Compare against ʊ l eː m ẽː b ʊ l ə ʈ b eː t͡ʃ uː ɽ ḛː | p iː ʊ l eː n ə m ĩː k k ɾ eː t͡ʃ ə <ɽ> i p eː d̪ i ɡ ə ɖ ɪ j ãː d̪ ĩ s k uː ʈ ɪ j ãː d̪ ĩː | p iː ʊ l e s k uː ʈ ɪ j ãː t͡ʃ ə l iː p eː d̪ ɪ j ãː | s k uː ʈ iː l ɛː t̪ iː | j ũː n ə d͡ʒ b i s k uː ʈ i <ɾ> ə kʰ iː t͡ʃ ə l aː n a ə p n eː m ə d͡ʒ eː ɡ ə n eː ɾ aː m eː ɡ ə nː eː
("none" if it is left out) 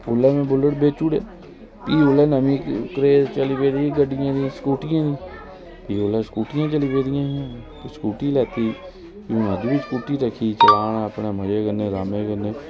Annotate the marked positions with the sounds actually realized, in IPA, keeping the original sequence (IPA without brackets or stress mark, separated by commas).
l, ɾ